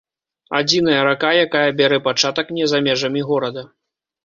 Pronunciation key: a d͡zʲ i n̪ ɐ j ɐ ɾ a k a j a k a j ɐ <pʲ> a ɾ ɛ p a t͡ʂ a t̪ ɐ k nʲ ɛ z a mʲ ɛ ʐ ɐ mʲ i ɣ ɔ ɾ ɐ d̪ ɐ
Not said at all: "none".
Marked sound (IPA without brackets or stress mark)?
bʲ